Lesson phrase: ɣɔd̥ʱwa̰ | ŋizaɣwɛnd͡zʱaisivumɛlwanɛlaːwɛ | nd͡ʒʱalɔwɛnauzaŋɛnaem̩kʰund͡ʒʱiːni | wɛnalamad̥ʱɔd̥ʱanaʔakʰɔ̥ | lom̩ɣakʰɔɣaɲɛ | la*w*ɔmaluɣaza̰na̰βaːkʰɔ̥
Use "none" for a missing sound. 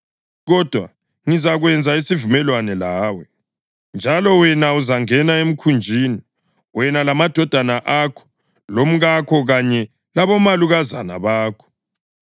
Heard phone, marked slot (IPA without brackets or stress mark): β